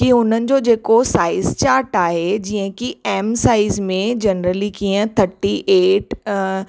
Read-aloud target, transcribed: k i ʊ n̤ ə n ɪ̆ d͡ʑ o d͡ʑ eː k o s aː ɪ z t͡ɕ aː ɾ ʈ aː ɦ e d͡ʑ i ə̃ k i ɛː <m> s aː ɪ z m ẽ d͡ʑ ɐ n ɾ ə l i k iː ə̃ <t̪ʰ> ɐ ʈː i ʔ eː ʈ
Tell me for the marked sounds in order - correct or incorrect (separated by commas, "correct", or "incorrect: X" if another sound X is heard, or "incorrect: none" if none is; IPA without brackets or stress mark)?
correct, correct